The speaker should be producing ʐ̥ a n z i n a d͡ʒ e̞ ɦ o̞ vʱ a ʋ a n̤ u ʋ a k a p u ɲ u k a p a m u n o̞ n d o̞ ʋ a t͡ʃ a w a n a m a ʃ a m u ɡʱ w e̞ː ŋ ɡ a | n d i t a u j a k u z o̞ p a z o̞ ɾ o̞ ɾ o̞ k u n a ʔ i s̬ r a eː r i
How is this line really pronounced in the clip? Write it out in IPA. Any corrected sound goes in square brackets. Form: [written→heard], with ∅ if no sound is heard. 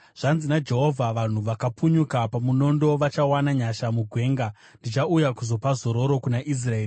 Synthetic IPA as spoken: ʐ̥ a n z i n a d͡ʒ e̞ ɦ o̞ vʱ a ʋ a n̤ u ʋ a k a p u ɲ u k a p a m u n o̞ n d o̞ ʋ a t͡ʃ a w a n a [m→ɲ] a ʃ a m u ɡʱ w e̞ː ŋ ɡ a | n d i [t→t͡ʃ] a u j a k u z o̞ p a z o̞ ɾ o̞ ɾ o̞ k u n a ʔ i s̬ r a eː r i